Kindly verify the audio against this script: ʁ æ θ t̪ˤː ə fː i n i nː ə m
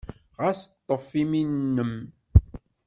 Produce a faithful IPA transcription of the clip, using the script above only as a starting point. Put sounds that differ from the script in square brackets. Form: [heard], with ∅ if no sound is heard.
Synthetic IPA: ʁ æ [s] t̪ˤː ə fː i [m] i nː ə m